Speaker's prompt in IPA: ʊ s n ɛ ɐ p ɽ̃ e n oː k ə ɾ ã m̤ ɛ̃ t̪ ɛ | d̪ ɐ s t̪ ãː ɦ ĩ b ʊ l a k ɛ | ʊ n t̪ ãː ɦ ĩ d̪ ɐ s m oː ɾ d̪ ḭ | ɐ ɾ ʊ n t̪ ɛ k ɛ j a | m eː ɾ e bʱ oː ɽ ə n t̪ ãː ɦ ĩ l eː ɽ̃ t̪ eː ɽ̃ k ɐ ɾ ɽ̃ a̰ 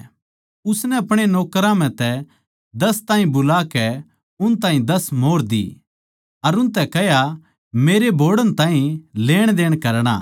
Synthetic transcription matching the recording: ʊ s n ɛ ɐ p ɽ̃ e n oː k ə ɾ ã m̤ ɛ̃ t̪ ɛ | d̪ ɐ s t̪ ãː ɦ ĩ b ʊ l a k ɛ | ʊ n t̪ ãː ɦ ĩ d̪ ɐ s m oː ɾ d̪ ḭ | ɐ ɾ ʊ n t̪ ɛ k ɛ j a | m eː ɾ e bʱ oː ɽ ə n t̪ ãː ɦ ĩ l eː ɽ̃ d̪ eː ɽ̃ k ɐ ɾ ɽ̃ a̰

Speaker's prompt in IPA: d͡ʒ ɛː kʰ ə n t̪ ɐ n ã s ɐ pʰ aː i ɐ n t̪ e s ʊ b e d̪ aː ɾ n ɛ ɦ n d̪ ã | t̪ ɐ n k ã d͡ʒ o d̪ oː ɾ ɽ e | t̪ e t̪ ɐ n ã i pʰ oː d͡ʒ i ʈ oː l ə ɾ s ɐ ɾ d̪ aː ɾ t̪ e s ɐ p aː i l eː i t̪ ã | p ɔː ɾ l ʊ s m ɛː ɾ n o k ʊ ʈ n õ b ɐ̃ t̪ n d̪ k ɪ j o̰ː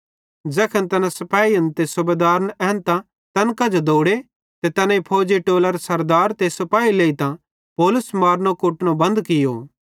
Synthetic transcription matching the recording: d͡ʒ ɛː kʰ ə n t̪ ɐ n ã s ɐ p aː i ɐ n t̪ e s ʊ b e d̪ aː ɾ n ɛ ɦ n t̪ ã | t̪ ɐ n k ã d͡ʒ o d̪ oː ɽ e | t̪ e t̪ ɐ n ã i pʰ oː d͡ʒ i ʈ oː l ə ɾ s ɐ ɾ d̪ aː ɾ t̪ e s ɐ p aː i l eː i t̪ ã | p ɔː l ʊ s m aː ɾ n o k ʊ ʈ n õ b ɐ̃ n d̪ k ɪ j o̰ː

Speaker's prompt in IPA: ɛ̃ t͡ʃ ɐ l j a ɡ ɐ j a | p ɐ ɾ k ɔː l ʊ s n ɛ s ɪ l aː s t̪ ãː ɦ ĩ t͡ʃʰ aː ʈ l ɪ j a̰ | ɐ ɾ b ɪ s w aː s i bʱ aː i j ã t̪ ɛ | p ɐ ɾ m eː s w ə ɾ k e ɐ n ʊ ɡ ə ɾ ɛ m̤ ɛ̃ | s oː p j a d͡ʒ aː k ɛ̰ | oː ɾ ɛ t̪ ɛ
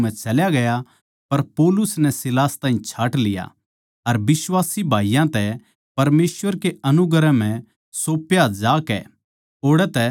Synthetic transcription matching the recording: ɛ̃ t͡ʃ ɐ l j a ɡ ɐ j a | p ɐ ɾ p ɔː l ʊ s n ɛ s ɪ l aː s t̪ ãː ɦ ĩ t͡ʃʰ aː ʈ l ɪ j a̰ | ɐ ɾ b ɪ s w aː s i bʱ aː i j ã t̪ ɛ | p ɐ ɾ m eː s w ə ɾ k e ɐ n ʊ ɡ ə ɾ ɛ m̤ ɛ̃ | s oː p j a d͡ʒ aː k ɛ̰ | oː ɽ ɛ t̪ ɛ

